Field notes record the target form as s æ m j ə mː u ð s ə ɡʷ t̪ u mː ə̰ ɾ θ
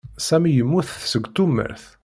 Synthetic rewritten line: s æ m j ə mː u θ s ə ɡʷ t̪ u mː ə̰ ɾ θ